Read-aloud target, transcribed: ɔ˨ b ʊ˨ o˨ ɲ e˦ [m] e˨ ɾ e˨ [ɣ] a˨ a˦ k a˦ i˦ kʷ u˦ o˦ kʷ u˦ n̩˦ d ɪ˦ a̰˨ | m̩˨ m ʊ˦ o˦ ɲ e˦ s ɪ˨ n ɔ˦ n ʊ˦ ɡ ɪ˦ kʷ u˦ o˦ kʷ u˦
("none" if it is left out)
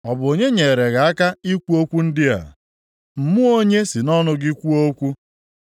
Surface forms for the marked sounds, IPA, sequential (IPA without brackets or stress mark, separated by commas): ɲ, ɣ